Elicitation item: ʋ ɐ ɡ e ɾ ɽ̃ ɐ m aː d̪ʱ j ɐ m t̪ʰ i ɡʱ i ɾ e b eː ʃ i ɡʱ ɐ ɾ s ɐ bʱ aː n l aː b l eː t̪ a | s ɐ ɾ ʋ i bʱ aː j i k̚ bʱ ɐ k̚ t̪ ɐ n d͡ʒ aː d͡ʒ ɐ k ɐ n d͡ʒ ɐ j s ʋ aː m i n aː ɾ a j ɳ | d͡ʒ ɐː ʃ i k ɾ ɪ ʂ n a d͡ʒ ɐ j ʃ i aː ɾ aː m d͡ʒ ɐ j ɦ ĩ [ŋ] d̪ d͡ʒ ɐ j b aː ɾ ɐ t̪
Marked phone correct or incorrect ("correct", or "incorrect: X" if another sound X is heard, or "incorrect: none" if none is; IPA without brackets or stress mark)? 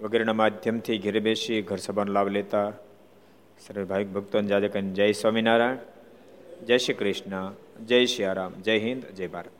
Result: incorrect: n